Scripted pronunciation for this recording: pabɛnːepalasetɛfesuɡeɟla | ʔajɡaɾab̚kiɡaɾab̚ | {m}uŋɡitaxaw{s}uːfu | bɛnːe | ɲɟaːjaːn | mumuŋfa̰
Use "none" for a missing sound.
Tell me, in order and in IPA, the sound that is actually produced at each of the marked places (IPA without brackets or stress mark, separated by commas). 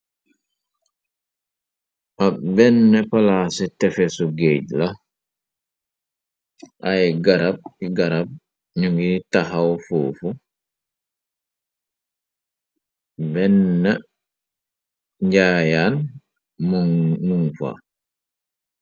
ɲ, f